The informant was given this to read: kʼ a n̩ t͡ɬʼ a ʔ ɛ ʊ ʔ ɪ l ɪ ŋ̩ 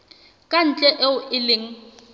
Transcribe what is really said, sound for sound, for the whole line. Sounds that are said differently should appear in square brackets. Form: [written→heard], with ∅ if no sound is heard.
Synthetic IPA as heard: kʼ a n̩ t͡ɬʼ [a→ɛ] ʔ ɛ ʊ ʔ ɪ l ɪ ŋ̩